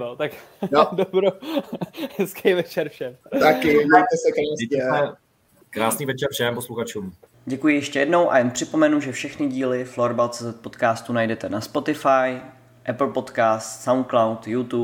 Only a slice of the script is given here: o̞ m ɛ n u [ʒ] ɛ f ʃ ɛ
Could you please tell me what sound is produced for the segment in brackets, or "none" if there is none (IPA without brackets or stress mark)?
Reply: ʒ